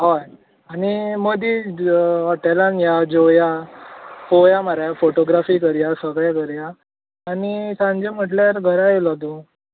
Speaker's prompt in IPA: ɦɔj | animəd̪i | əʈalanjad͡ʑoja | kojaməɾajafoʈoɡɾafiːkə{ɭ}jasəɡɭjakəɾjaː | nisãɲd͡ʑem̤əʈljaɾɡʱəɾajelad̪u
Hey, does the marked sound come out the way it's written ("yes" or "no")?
no